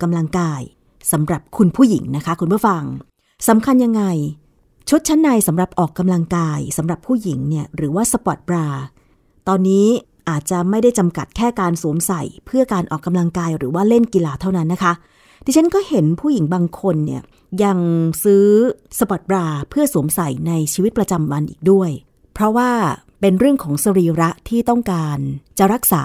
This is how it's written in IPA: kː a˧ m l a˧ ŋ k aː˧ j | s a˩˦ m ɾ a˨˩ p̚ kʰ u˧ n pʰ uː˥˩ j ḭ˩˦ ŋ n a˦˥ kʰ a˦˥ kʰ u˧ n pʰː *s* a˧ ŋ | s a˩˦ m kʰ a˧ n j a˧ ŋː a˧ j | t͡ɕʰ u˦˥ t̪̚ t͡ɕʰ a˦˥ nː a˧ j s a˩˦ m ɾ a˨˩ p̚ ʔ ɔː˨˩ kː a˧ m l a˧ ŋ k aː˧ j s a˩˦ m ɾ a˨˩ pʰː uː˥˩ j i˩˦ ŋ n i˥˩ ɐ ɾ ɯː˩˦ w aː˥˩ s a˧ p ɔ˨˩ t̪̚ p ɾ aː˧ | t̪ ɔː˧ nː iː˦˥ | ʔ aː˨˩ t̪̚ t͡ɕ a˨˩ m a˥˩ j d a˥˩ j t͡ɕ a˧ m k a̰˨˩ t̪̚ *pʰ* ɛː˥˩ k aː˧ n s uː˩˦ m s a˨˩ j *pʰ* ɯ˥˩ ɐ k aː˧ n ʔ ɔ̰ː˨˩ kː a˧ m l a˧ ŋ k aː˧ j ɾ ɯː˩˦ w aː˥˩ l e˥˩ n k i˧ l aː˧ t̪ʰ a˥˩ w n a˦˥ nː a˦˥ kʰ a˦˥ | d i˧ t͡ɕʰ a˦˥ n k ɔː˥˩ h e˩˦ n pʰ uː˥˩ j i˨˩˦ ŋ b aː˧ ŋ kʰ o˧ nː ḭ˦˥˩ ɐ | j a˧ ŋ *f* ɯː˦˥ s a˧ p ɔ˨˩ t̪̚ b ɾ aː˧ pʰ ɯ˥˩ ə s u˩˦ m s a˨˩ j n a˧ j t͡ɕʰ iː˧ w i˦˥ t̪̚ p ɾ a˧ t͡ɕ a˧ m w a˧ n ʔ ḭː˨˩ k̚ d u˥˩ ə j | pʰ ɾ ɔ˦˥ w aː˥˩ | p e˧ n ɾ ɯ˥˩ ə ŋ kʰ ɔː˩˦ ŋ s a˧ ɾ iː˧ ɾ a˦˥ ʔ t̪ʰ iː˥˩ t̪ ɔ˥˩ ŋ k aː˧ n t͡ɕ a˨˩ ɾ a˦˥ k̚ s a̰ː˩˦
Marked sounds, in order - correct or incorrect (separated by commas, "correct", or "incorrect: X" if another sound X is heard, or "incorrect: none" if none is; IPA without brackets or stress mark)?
incorrect: f, incorrect: kʰ, correct, incorrect: s